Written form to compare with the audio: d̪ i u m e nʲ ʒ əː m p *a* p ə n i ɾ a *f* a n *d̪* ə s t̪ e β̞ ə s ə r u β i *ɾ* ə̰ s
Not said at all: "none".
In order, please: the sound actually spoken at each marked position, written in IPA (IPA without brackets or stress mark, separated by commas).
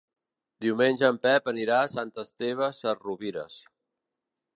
ɛ, s, t̪, ɾ